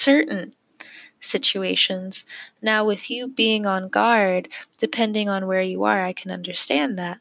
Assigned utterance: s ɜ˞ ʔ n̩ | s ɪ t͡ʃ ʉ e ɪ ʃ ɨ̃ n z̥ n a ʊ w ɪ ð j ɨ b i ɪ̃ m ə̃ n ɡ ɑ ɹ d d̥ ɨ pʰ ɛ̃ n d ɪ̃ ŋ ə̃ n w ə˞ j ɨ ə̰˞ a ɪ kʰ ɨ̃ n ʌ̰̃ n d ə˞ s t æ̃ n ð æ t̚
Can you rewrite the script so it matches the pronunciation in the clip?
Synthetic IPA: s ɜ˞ ʔ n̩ | s ɪ t͡ʃ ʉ e ɪ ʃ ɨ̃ n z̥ n a ʊ w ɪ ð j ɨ b i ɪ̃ ŋ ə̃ n ɡ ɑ ɹ d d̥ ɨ pʰ ɛ̃ n d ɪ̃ ŋ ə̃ n w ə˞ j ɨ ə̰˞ a ɪ kʰ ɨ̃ n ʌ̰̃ n d ə˞ s t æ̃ n ð æ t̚